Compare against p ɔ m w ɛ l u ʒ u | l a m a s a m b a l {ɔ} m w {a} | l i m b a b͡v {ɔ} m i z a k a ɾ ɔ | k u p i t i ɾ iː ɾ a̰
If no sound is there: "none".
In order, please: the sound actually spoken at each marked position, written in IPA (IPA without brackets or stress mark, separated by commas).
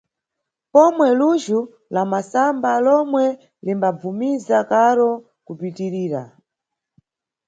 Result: ɔ, ɛ, u